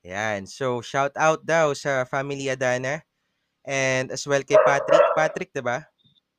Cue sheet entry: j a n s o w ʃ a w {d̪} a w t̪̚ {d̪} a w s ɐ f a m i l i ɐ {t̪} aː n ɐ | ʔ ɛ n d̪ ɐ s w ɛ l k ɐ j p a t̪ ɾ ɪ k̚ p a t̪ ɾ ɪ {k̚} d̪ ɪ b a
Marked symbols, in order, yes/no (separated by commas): no, yes, no, yes